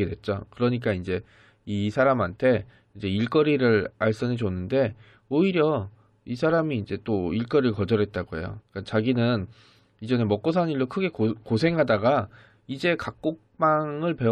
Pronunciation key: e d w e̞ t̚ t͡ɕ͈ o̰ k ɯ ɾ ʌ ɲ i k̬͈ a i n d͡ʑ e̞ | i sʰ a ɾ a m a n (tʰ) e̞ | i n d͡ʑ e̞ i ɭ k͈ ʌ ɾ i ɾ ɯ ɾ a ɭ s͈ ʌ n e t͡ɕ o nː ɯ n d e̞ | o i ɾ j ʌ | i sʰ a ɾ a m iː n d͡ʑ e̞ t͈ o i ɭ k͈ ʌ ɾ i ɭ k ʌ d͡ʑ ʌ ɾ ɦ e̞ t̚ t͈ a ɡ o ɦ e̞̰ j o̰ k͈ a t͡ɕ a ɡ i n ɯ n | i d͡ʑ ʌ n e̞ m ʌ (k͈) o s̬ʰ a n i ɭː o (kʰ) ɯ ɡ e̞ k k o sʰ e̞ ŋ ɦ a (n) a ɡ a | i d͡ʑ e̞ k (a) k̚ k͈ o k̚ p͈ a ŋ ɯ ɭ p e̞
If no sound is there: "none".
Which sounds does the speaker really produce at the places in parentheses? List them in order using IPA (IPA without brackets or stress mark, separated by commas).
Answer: tʰ, k͈, kʰ, d, a